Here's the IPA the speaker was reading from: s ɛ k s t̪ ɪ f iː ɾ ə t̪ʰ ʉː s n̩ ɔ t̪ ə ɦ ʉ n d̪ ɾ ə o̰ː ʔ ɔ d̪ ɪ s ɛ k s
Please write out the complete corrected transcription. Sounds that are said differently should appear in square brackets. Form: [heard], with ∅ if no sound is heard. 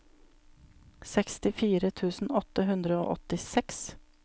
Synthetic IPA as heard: s ɛ k s t̪ ɪ f iː ɾ ə t̪ʰ ʉː s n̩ ɔ t̪ ə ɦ ʉ n d̪ ɾ ə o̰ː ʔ ɔ [t̪] ɪ s ɛ k s